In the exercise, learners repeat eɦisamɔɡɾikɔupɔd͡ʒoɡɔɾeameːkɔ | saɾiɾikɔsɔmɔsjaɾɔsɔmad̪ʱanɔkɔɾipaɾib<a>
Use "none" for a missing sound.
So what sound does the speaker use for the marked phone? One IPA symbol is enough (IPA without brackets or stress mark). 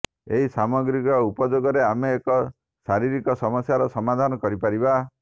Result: a